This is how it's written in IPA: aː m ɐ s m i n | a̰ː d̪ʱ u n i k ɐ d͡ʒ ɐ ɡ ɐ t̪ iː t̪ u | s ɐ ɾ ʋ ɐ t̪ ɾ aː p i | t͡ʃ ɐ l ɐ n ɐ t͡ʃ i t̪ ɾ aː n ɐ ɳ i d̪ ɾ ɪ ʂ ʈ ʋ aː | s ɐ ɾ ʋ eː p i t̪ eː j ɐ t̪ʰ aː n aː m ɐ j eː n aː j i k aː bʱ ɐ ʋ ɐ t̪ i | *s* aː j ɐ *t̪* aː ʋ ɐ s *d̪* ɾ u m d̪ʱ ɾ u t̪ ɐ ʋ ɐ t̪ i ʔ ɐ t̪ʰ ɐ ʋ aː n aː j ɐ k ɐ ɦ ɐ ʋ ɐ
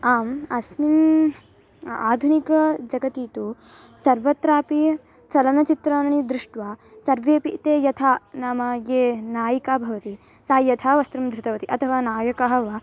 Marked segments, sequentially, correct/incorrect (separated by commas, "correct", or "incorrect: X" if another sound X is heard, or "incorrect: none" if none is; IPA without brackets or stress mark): correct, incorrect: t̪ʰ, incorrect: t̪